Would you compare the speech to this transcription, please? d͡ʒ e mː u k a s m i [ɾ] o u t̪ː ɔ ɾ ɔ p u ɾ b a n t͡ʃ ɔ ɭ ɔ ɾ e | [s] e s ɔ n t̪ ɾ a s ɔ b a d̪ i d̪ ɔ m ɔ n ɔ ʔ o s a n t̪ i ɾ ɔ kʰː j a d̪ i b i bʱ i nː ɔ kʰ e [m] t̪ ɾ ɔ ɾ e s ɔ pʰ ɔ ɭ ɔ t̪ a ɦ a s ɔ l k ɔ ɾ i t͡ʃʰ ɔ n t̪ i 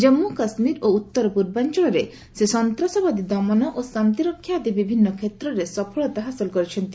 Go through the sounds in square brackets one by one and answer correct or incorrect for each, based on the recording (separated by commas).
correct, correct, incorrect